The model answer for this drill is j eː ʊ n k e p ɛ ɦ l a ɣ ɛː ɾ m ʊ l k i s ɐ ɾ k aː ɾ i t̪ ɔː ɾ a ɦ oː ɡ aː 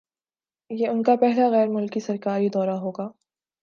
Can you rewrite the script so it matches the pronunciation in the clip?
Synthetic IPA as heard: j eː ʊ n k a p ɛ ɦ l a ɣ ɛː ɾ m ʊ l k i s ɐ ɾ k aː ɾ i d̪ ɔː ɾ a ɦ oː ɡ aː